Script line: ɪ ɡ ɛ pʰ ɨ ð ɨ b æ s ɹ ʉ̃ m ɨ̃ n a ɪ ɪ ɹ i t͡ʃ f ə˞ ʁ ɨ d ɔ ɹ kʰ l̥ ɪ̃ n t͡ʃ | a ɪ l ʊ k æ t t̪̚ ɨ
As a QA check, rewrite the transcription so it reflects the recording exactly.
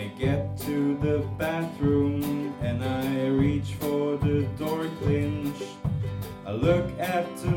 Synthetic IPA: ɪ ɡ ɛ tʰ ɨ ð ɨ b æ θ ɹ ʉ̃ m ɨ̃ n a ɪ ɪ ɹ i t͡ʃ f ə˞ ð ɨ d ɔ ɹ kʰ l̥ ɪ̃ n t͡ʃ | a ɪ l ʊ k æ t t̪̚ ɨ